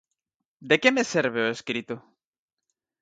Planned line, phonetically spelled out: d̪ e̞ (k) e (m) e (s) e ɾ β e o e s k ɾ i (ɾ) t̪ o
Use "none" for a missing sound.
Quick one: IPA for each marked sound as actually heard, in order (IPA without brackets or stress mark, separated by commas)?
k, m, s, none